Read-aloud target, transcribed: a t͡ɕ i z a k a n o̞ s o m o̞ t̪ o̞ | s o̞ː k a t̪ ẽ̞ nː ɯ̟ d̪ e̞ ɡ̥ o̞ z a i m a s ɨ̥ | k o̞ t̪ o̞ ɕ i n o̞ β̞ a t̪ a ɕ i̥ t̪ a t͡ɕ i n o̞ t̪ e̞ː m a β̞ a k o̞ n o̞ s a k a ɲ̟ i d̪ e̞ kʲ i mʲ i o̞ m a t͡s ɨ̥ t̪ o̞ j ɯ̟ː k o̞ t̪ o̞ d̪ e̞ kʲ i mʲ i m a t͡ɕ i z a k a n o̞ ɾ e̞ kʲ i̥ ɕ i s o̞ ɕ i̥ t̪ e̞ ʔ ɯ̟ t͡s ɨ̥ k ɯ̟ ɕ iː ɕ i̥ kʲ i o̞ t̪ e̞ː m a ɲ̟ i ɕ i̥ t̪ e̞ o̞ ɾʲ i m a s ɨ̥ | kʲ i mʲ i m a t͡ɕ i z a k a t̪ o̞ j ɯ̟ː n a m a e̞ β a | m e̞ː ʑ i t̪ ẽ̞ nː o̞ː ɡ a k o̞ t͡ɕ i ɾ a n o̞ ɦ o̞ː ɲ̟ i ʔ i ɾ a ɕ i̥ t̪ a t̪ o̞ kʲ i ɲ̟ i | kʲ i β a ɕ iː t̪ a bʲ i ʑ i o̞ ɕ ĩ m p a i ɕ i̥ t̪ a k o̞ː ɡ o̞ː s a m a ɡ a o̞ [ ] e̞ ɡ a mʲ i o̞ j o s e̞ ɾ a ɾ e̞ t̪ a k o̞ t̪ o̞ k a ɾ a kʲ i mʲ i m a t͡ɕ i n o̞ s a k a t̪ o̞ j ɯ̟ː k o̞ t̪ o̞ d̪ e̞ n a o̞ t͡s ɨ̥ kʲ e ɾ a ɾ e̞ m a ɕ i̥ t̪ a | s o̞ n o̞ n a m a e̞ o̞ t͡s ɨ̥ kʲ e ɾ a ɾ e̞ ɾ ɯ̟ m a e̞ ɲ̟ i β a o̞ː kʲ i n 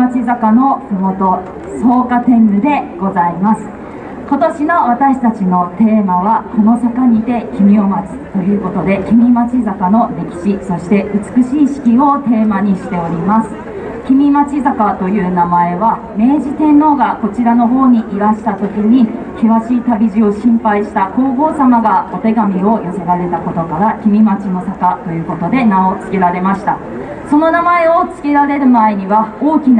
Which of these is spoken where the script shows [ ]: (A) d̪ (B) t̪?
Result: B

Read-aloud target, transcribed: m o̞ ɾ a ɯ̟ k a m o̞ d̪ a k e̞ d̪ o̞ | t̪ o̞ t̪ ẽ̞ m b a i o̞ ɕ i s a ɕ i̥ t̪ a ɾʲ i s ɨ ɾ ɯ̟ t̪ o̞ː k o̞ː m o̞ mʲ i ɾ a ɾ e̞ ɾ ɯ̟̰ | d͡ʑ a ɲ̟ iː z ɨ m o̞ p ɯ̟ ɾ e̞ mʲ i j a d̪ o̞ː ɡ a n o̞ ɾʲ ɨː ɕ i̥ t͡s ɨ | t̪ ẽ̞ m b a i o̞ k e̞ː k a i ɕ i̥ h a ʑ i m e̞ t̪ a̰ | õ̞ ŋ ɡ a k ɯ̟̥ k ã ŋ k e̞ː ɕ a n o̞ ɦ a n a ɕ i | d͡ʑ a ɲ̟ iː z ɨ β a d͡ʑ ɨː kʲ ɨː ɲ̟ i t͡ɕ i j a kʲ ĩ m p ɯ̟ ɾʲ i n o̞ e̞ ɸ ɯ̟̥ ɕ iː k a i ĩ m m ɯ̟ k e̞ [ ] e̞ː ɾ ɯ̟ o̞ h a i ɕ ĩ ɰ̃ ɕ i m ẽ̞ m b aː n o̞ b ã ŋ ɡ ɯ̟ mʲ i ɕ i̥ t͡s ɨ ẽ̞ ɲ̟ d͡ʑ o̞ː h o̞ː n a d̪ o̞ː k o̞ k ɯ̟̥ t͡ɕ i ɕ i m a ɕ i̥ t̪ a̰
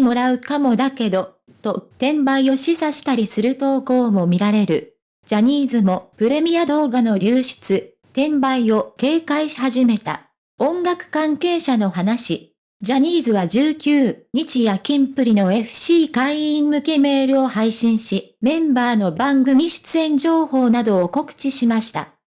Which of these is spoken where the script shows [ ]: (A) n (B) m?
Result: B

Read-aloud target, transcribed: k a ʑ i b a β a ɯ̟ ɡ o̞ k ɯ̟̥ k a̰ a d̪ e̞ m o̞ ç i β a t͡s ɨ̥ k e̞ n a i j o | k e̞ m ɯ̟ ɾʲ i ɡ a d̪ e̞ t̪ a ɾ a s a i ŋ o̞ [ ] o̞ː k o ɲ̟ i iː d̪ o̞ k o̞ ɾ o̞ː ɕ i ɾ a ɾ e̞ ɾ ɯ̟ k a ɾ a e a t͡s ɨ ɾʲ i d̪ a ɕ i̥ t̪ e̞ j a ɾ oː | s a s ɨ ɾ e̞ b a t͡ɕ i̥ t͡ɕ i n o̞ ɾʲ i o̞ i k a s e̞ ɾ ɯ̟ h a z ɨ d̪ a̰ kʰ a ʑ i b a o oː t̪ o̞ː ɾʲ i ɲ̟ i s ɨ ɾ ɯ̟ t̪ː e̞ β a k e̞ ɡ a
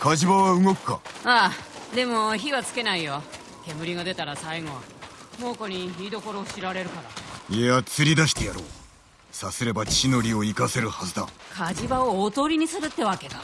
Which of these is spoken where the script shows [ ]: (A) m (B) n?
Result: A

